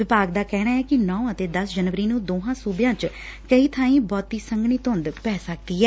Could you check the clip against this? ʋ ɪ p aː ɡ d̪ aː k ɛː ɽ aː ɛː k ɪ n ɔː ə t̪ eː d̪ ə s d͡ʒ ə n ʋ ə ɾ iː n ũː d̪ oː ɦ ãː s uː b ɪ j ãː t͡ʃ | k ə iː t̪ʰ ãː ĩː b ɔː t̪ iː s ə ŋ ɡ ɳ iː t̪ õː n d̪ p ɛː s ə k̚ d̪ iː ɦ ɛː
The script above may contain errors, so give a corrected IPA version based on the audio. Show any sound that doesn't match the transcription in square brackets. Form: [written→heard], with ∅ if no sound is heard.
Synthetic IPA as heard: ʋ ɪ p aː ɡ d̪ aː k ɛː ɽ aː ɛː k ɪ n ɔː ə t̪ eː d̪ ə s d͡ʒ ə n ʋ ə ɾ iː n ũː d̪ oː ɦ ãː s uː b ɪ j ãː t͡ʃ | k ə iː t̪ʰ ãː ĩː b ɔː t̪ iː s ə ŋ ɡ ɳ iː t̪ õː n d̪ p ɛː s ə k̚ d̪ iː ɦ ɛː